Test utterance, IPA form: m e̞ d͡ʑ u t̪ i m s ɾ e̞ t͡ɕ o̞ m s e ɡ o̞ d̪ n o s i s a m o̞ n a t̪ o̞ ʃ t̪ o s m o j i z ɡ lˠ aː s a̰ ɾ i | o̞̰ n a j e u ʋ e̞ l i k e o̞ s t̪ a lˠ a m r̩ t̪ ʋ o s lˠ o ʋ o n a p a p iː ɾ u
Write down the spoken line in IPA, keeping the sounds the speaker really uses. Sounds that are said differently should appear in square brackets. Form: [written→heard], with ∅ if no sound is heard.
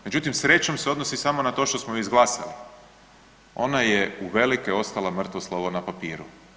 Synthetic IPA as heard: m e̞ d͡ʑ u t̪ i m s ɾ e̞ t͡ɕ o̞ m s e [ɡ→∅] o̞ d̪ n o s i s a m o̞ n a t̪ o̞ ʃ t̪ o s m o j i z ɡ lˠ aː s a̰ [ɾ→l] i | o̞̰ n a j e u ʋ e̞ l i k e o̞ s t̪ a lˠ a m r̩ t̪ ʋ o s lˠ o ʋ o n a p a p iː ɾ u

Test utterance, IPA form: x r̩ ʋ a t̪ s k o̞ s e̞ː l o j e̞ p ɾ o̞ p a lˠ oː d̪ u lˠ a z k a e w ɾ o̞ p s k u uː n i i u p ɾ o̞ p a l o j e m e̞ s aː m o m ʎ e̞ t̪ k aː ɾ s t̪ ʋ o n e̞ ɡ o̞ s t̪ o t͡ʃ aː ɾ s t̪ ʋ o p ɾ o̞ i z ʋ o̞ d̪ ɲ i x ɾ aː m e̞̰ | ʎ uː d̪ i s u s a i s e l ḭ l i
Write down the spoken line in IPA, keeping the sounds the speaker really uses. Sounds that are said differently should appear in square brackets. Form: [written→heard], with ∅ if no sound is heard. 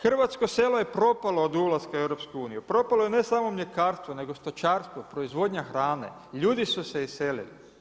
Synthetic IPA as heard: x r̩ ʋ a t̪ s k o̞ s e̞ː l o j e̞ p ɾ o̞ p a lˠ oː d̪ u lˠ a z k a e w ɾ o̞ p s k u uː n i [i→j] u p ɾ o̞ p a l o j e [m→n] e̞ s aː m o m ʎ e̞ [t̪→∅] k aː ɾ s t̪ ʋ o n e̞ ɡ o̞ s t̪ o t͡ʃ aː ɾ s t̪ ʋ o p ɾ o̞ i z ʋ o̞ d̪ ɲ [i→a] x ɾ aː [m→n] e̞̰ | ʎ uː d̪ i s u s [a→e] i s e l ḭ l i

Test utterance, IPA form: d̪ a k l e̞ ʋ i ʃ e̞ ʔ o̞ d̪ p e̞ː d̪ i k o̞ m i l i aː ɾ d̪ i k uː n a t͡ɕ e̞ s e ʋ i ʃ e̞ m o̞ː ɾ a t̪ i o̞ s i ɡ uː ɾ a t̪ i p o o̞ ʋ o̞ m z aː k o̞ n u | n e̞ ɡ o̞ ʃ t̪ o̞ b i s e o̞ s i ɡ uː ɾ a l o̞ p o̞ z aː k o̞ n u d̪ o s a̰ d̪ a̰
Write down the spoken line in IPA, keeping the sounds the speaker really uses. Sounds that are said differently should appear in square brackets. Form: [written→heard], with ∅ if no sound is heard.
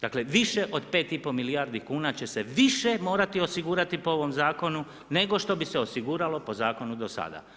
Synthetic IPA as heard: d̪ a k l e̞ ʋ i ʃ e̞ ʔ o̞ d̪ p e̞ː [d̪→t̪] i [k→p] o̞ m i l i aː ɾ d̪ i k uː n a t͡ɕ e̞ s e ʋ i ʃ e̞ m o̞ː ɾ a t̪ i o̞ s i ɡ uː ɾ a t̪ i p o o̞ ʋ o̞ m z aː k o̞ n u | n e̞ ɡ o̞ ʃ t̪ o̞ b i s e o̞ s i ɡ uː ɾ a l o̞ p o̞ z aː k o̞ n u d̪ o s a̰ d̪ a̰

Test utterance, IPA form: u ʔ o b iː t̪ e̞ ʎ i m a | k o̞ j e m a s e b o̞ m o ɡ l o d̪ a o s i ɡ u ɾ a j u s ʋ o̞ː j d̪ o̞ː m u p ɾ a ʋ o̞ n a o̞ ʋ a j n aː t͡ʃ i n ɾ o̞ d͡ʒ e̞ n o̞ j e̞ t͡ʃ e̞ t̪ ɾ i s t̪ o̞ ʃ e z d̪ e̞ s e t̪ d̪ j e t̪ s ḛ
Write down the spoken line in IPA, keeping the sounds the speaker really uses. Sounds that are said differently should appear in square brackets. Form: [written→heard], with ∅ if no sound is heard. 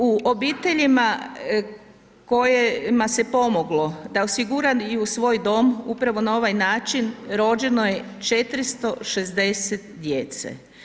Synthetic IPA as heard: u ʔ o b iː t̪ e̞ ʎ i m a | k o̞ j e m a s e [b→p] o̞ m o ɡ l o d̪ a o s i ɡ u ɾ a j u s ʋ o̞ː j d̪ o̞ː m u p ɾ a ʋ o̞ n a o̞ ʋ a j n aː t͡ʃ i n ɾ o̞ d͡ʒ e̞ n o̞ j e̞ t͡ʃ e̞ t̪ ɾ i s t̪ o̞ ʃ e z d̪ e̞ s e t̪ d̪ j e t̪ s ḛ

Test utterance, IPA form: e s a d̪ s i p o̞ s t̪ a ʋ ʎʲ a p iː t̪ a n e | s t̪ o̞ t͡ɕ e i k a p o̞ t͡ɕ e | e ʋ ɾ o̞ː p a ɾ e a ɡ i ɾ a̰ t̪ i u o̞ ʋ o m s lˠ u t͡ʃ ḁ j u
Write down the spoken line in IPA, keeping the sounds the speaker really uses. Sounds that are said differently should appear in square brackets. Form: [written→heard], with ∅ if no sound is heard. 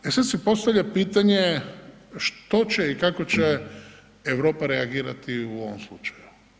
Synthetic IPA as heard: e s a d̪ s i p o̞ s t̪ a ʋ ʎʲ a p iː t̪ a [n→ɲ] e | [s→ʃ] t̪ o̞ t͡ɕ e i k a [p→k] o̞ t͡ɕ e | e ʋ ɾ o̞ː p a ɾ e a ɡ [i→iː] ɾ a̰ t̪ i u o̞ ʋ o m s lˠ u t͡ʃ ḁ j u

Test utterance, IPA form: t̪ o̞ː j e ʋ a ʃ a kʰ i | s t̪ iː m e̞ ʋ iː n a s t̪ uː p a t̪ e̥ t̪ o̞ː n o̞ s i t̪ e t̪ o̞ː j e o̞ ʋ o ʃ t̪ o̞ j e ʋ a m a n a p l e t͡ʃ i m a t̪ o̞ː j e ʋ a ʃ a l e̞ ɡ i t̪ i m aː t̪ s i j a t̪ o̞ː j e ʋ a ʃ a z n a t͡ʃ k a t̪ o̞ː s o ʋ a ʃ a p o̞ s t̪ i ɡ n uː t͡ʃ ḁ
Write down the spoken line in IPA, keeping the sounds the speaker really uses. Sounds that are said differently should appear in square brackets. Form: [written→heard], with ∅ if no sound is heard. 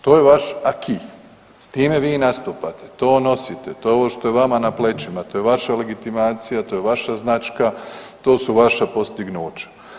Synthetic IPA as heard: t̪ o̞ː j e ʋ a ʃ a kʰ i | s t̪ iː m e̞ ʋ iː n a s t̪ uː p a t̪ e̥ t̪ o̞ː n o̞ s i t̪ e t̪ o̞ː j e o̞ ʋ o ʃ t̪ o̞ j e ʋ a m a n a p l e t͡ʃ i m a t̪ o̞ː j e ʋ a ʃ a l e̞ ɡ i t̪ i m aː t̪ s i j a t̪ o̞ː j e ʋ a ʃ a z n a t͡ʃ k a t̪ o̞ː s [o→u] ʋ a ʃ a p o̞ s t̪ i ɡ n uː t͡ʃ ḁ

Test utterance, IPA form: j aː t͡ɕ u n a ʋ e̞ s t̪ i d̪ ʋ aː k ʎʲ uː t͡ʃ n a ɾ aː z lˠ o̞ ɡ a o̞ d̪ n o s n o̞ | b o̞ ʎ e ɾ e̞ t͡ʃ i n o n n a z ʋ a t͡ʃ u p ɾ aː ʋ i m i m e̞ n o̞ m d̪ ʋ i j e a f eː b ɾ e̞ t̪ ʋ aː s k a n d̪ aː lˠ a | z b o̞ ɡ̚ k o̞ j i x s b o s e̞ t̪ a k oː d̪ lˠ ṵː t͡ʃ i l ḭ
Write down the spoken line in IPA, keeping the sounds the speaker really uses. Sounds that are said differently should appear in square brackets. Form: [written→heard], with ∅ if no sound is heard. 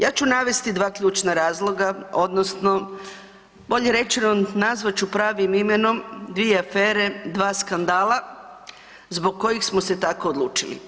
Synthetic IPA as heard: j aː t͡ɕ u n a ʋ e̞ s t̪ i d̪ ʋ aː k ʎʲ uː t͡ʃ n a ɾ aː z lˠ o̞ ɡ a o̞ d̪ n o s n o̞ | b o̞ ʎ e ɾ e̞ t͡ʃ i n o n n a z ʋ a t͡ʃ u p ɾ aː ʋ i m i m e̞ n o̞ m d̪ ʋ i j e a f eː [b→∅] ɾ e̞ [t̪→d̪] ʋ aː s k a n d̪ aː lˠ a | z b o̞ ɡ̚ k o̞ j i x s [b→m] o s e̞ t̪ a k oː d̪ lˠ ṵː t͡ʃ i l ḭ

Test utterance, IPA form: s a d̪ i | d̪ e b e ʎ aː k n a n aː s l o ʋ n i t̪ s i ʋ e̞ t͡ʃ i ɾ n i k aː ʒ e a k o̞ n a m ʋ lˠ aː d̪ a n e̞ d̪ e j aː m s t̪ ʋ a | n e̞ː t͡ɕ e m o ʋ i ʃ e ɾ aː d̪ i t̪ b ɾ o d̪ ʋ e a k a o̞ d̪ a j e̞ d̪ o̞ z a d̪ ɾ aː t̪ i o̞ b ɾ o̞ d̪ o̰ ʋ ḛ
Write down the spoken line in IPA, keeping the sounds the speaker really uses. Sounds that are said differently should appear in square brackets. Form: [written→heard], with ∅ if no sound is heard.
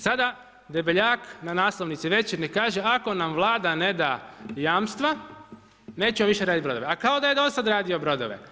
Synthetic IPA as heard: s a d̪ [i→a] | d̪ e b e ʎ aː k n a n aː s l o ʋ n i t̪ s i ʋ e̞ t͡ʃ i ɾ n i k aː ʒ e a k o̞ n a m ʋ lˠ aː d̪ a n e̞ d̪ [e→a] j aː m s t̪ ʋ a | n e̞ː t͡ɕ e m o ʋ i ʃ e ɾ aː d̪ i t̪ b ɾ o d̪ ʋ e a k a o̞ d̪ a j e̞ d̪ o̞ [z→s] a d̪ ɾ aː [t̪→d̪] i o̞ b ɾ o̞ d̪ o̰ ʋ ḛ

